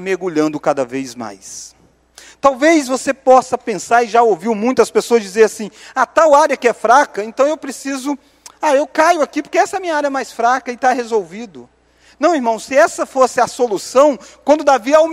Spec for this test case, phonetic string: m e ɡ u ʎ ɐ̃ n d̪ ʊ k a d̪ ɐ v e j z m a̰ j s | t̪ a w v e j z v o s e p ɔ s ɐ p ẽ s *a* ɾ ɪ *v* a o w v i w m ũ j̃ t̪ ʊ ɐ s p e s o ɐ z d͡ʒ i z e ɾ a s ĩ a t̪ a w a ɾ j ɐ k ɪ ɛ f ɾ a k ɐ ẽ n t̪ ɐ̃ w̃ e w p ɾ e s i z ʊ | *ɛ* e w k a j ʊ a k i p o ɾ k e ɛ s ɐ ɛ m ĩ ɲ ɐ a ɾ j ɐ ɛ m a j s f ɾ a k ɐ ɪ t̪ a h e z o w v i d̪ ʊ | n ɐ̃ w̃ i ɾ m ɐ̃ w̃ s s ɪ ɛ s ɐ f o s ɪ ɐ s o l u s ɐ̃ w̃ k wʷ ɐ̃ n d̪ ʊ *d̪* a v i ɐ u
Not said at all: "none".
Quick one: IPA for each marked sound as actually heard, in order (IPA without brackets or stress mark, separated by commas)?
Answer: a, ʒ, a, d̪